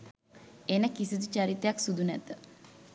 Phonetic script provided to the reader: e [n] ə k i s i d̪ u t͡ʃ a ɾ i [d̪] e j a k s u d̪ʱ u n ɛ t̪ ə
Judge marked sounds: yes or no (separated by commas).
yes, no